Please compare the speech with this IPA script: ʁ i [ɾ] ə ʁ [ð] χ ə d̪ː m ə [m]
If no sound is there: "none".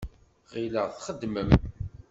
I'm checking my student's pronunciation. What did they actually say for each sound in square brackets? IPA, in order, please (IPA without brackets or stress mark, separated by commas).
l, θ, m